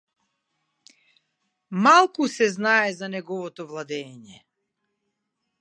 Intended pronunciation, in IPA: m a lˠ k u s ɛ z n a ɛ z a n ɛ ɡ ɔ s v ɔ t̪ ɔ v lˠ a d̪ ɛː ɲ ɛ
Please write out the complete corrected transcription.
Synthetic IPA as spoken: m a lˠ k u s ɛ z n a ɛ z a n ɛ ɡ ɔ v ɔ t̪ ɔ v lˠ a d̪ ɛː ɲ ɛ